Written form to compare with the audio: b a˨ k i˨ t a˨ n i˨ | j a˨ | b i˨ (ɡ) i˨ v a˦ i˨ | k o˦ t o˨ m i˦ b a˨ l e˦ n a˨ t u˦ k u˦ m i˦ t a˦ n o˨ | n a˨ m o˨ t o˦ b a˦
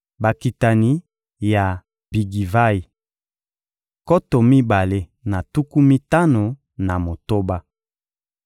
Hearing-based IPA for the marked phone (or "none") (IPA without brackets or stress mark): ɡ